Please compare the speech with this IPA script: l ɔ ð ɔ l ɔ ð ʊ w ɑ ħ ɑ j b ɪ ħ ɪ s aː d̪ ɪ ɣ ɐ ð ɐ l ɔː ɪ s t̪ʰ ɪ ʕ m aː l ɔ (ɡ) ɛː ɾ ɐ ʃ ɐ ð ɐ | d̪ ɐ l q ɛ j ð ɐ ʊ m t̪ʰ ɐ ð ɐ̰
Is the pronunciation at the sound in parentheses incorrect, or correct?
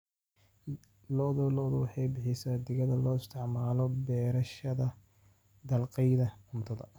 incorrect: b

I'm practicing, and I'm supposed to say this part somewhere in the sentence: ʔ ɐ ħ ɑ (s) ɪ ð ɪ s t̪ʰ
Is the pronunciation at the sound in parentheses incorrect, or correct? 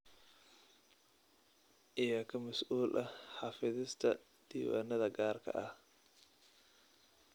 incorrect: f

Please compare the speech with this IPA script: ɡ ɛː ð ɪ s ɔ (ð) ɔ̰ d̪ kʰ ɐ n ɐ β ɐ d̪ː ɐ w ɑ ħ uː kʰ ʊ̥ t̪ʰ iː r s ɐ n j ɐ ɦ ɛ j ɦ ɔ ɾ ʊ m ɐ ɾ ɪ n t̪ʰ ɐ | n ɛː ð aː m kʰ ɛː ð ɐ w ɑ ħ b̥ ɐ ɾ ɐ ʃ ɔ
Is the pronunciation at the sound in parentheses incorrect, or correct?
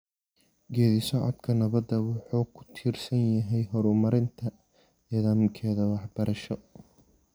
incorrect: ʕ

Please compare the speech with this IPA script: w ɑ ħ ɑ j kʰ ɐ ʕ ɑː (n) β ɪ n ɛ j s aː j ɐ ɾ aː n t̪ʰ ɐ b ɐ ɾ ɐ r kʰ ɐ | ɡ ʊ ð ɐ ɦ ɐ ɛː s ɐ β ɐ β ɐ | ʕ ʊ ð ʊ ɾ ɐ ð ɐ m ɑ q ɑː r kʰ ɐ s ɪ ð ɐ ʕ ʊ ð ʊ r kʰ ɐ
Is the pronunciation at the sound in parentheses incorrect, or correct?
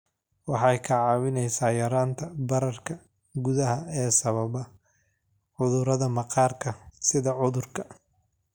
incorrect: none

